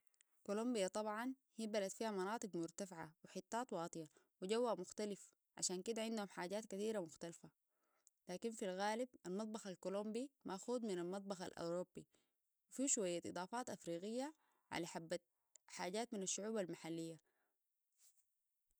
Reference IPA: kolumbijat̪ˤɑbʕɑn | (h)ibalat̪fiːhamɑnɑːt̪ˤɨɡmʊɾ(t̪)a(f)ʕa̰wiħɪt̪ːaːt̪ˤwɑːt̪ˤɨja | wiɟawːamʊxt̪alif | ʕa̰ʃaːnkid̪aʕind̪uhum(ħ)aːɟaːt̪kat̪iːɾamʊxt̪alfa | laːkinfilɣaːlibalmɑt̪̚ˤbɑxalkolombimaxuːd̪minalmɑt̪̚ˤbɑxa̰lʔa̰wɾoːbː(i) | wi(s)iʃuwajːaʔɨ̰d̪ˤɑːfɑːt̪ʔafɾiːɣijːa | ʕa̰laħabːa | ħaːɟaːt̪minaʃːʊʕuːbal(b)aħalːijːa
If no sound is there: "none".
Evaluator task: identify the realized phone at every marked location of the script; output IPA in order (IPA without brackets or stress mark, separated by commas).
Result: h, t̪, f, ħ, i, f, m